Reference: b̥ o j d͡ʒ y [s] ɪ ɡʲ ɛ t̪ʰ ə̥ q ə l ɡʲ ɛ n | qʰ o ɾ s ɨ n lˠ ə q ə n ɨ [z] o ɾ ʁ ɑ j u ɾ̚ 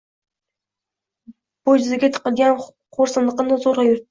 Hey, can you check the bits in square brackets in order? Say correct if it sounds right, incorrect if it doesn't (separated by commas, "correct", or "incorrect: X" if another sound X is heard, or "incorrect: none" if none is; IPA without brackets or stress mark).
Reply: incorrect: z, correct